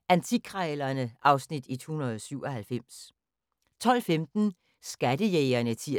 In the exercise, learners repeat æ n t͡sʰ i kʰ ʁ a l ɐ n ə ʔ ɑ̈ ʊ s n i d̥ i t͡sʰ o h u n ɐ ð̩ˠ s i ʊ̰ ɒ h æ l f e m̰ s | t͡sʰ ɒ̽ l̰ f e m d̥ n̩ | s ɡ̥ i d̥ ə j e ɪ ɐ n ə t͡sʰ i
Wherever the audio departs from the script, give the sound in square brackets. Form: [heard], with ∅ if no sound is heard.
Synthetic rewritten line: æ n t͡sʰ i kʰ ʁ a l ɐ n ə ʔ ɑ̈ ʊ s n i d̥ i t͡sʰ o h u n ɐ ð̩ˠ s [y] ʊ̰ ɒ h æ l f e m̰ s | t͡sʰ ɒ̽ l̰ f e m d̥ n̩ | s ɡ̥ [æ] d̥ ə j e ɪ ɐ n ə t͡sʰ i